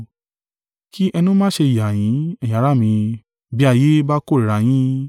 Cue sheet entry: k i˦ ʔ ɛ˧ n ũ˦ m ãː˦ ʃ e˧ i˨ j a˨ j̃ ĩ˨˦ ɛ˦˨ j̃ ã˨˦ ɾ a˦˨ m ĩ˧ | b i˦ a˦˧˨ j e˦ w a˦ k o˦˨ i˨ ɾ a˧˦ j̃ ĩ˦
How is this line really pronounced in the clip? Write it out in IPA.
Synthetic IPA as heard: k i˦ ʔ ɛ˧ n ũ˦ m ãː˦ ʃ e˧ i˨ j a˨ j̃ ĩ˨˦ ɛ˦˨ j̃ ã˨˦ ɾ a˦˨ m ĩ˧ | b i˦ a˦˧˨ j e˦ b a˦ k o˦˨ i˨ ɾ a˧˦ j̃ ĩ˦